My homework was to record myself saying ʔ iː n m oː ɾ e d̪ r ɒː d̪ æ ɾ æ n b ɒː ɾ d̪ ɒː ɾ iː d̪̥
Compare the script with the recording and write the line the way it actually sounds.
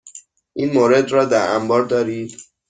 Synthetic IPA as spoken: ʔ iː n m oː ɾ e d̪ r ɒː d̪ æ ɾ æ m b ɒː ɾ d̪ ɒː ɾ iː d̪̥